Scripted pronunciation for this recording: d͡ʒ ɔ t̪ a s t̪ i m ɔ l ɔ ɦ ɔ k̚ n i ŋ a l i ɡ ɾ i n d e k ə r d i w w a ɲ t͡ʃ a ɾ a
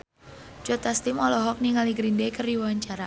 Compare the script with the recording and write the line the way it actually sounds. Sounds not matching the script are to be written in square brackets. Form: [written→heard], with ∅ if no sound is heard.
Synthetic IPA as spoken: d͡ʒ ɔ t̪ a s t̪ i m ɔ l ɔ ɦ ɔ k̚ n i ŋ a l i ɡ ɾ i n d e k ə r d i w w a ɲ t͡ʃ a ɾ a

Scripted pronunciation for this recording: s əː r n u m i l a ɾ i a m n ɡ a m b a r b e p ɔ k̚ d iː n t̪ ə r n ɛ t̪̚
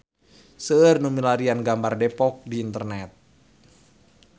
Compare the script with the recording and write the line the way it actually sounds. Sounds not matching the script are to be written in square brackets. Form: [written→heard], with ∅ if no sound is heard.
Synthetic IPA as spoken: s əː r n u m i l a ɾ i a [m→∅] n ɡ a m b a r [b→d] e p ɔ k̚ d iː n t̪ ə r n ɛ t̪̚

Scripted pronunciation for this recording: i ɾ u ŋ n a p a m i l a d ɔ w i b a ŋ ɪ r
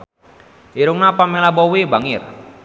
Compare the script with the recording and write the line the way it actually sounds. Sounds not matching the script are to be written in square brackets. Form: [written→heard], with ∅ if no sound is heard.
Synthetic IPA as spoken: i ɾ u ŋ n a p a m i l a [d→b] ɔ w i b a ŋ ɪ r

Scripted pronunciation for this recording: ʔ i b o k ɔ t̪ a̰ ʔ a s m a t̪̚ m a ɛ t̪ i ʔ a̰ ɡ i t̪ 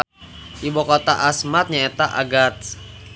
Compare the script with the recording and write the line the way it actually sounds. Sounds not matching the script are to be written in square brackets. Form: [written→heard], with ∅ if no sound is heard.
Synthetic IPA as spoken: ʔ i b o k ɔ t̪ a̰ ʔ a s m a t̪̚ [m→ɲ] a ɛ t̪ [i→a] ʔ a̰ ɡ [i→a] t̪

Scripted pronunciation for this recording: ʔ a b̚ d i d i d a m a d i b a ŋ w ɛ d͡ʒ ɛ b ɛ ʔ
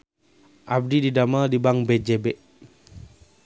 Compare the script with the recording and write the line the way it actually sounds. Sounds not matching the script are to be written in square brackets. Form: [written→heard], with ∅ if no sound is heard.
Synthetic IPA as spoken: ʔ a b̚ d i d i d a m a d i b a ŋ [w→b] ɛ d͡ʒ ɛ b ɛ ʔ

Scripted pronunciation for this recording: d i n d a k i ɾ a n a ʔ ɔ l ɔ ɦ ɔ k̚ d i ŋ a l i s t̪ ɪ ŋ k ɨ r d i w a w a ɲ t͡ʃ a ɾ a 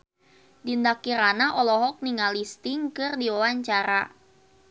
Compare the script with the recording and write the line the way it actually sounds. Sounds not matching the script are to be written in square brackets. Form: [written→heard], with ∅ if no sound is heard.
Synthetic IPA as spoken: d i n d a k i ɾ a n a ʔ ɔ l ɔ ɦ ɔ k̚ [d→n] i ŋ a l i s t̪ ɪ ŋ k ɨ r d i w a w a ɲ t͡ʃ a ɾ a

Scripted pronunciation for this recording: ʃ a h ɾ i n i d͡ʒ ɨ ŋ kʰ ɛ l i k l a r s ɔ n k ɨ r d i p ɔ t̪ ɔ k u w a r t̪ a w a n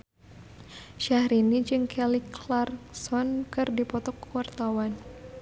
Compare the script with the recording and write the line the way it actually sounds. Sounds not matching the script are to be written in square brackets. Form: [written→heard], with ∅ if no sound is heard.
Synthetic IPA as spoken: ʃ a h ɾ i n i d͡ʒ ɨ ŋ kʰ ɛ l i k l a r s ɔ n k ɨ r d i p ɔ t̪ ɔ k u w a r t̪ a w a n

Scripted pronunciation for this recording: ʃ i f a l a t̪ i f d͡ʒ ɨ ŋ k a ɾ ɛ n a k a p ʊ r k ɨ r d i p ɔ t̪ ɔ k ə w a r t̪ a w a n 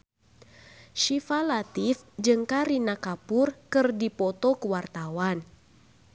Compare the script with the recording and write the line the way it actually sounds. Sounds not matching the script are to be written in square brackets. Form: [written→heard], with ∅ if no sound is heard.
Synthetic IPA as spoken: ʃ i f a l a t̪ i f d͡ʒ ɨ ŋ k a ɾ [ɛ→i] n a k a p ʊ r k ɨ r d i p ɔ t̪ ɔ k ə w a r t̪ a w a n

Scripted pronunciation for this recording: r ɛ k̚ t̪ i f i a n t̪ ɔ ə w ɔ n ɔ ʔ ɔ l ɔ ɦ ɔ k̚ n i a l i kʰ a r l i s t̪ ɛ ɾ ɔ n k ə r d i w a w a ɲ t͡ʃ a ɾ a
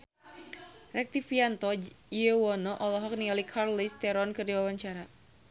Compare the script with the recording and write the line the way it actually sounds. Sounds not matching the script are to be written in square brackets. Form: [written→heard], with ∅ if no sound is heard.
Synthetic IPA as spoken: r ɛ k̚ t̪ i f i a n t̪ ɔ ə w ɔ n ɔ ʔ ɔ l ɔ ɦ ɔ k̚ n i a l i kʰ a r l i s t̪ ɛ ɾ ɔ n k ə r d i w a w a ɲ t͡ʃ a ɾ a

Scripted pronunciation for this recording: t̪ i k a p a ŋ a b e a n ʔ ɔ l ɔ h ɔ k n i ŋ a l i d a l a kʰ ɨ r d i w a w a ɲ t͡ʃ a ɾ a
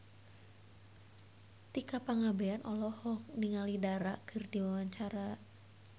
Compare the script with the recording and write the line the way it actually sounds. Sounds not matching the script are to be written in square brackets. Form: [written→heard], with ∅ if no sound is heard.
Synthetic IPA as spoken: t̪ i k a p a ŋ a b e a n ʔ ɔ l ɔ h ɔ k n i ŋ a l i d a [l→ɾ] a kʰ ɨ r d i w a w a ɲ t͡ʃ a ɾ a

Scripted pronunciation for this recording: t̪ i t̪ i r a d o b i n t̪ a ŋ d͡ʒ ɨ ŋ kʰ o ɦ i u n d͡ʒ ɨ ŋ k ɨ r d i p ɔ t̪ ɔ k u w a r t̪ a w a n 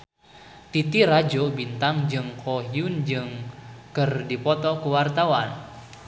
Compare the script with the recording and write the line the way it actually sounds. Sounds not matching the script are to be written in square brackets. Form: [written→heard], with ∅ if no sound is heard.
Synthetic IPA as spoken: t̪ i t̪ i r a [d→d͡ʒ] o b i n t̪ a ŋ d͡ʒ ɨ ŋ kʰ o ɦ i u n d͡ʒ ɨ ŋ k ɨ r d i p ɔ t̪ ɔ k u w a r t̪ a w a n

